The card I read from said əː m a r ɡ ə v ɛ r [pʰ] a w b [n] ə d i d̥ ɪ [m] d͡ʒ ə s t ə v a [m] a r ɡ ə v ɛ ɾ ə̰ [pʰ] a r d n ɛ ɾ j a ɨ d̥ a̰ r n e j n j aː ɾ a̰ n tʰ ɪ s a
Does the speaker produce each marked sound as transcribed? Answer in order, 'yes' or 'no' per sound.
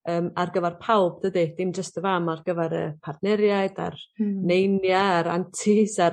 yes, no, yes, yes, yes

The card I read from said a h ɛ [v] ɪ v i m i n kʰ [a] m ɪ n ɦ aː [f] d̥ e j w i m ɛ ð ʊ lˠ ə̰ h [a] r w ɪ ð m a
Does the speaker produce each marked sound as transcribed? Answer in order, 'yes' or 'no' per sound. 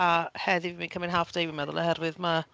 no, no, yes, no

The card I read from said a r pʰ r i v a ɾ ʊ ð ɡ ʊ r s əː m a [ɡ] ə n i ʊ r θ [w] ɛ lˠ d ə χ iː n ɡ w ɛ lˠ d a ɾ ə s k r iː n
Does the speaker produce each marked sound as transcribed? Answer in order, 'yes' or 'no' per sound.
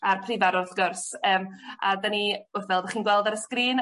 no, no

